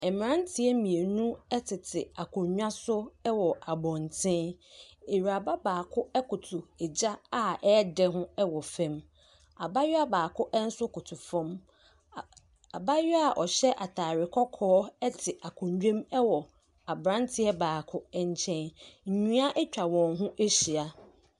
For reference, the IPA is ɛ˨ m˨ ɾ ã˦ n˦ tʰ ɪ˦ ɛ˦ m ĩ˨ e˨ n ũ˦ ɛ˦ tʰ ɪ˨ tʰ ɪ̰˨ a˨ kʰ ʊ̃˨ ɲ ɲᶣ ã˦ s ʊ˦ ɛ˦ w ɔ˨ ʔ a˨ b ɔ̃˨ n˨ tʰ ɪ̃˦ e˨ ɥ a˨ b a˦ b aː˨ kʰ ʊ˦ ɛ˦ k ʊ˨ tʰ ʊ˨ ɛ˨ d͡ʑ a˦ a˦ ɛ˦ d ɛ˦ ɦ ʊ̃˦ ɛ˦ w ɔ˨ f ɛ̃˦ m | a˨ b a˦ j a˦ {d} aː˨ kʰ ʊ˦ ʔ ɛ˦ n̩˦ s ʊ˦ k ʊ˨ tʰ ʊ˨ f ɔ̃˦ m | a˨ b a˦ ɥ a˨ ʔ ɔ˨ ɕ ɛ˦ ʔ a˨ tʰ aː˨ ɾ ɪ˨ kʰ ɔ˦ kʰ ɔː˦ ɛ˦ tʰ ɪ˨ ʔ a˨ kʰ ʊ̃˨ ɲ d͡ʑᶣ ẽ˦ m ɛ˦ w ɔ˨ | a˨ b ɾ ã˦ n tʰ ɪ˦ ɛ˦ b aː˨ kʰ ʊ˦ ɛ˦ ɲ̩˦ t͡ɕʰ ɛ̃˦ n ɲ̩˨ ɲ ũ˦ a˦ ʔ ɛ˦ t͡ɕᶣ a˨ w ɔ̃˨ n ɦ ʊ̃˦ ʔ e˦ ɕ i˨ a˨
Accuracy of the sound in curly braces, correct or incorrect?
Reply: incorrect